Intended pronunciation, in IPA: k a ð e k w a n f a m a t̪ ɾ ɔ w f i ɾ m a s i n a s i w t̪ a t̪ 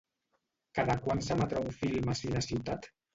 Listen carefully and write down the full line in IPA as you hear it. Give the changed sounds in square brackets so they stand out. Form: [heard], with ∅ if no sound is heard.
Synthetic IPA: k a ð [a] k w a n [s] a m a t̪ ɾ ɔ w f i [l] m a s i n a s i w t̪ a t̪